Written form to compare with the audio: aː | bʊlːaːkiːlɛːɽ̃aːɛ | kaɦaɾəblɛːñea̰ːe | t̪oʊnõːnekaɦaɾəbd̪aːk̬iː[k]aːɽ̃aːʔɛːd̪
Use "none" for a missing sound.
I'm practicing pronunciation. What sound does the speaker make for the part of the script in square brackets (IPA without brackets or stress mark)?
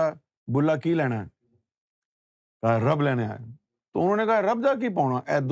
p